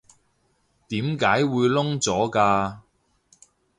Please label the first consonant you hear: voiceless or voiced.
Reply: voiceless